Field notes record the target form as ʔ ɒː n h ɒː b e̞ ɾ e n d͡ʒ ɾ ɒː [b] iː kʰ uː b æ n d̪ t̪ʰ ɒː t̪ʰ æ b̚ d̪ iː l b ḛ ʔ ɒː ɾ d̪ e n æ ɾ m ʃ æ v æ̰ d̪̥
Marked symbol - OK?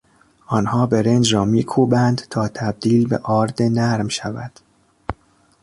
no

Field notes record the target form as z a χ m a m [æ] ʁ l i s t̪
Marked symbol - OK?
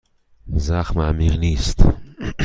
no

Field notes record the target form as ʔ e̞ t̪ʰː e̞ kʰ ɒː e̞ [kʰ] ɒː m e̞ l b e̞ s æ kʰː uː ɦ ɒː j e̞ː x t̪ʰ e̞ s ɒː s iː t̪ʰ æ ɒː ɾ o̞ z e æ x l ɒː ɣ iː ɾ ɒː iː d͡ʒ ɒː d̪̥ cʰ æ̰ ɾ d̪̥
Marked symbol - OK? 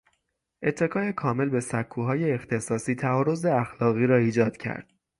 yes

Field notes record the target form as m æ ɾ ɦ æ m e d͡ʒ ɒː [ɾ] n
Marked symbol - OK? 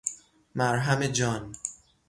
no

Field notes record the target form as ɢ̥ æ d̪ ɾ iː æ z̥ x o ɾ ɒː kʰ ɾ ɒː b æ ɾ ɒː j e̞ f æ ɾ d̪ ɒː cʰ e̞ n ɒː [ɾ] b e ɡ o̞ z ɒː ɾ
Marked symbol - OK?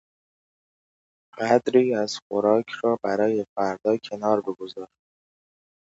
yes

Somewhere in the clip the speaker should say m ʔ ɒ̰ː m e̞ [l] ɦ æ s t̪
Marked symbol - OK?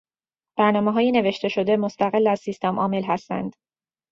yes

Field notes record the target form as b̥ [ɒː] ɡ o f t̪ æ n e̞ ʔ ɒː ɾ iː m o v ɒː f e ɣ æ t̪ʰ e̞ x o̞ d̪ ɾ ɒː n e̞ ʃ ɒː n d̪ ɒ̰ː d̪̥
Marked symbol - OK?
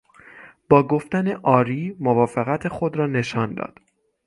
yes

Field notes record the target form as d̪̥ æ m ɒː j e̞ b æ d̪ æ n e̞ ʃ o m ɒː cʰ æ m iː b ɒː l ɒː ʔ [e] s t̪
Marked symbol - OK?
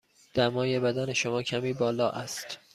no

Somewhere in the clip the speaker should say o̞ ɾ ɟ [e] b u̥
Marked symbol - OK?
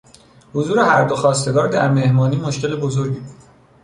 no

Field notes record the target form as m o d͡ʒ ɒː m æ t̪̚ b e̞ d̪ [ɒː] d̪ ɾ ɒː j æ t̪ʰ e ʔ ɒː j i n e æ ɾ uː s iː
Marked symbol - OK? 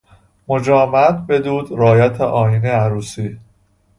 no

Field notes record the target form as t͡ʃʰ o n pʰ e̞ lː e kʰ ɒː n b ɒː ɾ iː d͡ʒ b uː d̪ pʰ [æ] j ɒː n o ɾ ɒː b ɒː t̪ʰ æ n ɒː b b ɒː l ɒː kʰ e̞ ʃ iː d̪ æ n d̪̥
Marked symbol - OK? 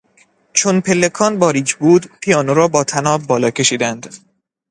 no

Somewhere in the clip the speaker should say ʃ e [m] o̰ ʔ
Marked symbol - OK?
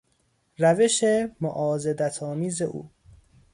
yes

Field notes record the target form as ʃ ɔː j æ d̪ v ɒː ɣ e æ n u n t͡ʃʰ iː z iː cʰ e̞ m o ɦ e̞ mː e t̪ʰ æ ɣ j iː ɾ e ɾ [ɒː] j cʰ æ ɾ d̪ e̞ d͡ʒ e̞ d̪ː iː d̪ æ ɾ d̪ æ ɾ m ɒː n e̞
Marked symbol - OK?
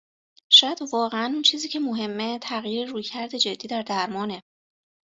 no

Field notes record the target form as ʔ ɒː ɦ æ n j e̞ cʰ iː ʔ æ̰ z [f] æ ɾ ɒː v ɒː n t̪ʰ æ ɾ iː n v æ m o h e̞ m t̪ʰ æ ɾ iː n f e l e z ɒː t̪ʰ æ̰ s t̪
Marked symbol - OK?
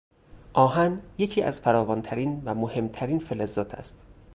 yes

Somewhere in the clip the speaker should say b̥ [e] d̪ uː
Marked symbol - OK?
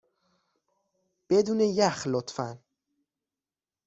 yes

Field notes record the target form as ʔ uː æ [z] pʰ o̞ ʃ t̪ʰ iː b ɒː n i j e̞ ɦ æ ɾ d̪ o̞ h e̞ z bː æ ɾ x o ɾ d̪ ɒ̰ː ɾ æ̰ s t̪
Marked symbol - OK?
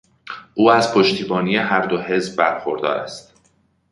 yes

